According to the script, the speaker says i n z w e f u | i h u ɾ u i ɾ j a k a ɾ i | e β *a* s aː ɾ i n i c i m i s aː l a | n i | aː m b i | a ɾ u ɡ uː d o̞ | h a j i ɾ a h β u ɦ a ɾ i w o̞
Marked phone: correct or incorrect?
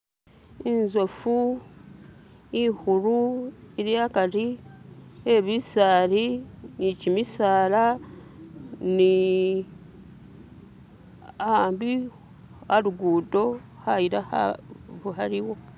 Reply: incorrect